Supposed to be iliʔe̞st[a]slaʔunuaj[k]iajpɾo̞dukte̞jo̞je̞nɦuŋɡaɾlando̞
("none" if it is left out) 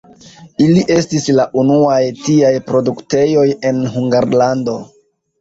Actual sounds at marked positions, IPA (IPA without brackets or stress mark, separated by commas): i, t